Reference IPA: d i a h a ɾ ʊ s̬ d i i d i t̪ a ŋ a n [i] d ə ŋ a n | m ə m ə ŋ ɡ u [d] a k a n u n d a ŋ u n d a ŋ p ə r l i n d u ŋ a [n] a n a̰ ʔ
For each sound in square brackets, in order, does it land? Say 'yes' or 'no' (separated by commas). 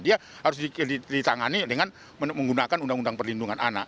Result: yes, no, yes